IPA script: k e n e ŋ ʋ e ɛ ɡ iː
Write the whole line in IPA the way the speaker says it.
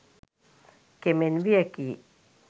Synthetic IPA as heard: k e m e n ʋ i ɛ k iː